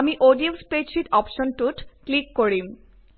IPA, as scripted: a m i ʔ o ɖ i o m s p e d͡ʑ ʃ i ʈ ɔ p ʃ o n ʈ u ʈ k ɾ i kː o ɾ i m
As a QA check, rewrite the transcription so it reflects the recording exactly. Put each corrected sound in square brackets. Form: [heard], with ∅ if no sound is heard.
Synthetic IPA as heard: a m i ʔ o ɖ i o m s p e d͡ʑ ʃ i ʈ ɔ p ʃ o n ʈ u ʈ k [l] i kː o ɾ i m